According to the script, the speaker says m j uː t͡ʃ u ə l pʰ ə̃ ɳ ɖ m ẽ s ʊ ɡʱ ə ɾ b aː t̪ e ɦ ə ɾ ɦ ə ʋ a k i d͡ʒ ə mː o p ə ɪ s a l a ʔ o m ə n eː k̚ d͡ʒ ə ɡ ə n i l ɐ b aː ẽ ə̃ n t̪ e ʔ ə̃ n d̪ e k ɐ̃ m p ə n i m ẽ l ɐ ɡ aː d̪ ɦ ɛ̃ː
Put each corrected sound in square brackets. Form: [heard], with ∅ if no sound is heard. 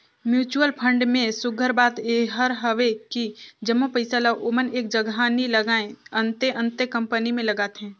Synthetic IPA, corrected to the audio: m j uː t͡ʃ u ə l pʰ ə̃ ɳ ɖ m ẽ s ʊ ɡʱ ə ɾ b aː t̪ e ɦ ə ɾ ɦ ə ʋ [e] k i d͡ʒ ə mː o p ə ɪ s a l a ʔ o m ə n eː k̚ d͡ʒ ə ɡ [a] n i l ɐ [ɡ] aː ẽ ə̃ n t̪ e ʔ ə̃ n [t̪] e k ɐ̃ m p ə n i m ẽ l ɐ ɡ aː [t̪] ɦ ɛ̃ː